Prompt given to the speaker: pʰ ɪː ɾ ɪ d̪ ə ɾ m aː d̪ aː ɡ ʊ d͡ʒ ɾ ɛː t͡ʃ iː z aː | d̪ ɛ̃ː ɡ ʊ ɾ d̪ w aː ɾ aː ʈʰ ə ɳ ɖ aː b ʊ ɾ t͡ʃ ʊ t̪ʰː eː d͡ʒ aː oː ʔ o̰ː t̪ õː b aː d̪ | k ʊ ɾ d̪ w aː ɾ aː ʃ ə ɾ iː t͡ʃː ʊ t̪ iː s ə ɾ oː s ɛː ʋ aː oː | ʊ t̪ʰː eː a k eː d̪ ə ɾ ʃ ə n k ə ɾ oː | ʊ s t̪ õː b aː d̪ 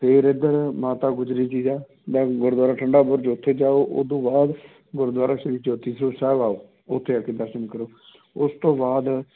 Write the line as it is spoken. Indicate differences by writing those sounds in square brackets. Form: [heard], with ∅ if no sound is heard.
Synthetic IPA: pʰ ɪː ɾ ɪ d̪ ə ɾ m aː [t̪] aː ɡ ʊ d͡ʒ ɾ [iː] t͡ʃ iː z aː | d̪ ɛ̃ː ɡ ʊ ɾ d̪ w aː ɾ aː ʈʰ ə ɳ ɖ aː b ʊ ɾ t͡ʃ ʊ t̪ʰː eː d͡ʒ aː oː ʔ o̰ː [d̪] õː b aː d̪ | [ɡ] ʊ ɾ d̪ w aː ɾ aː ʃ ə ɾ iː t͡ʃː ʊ t̪ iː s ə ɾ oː s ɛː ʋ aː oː | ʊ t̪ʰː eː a k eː d̪ ə ɾ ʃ ə n k ə ɾ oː | ʊ s t̪ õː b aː d̪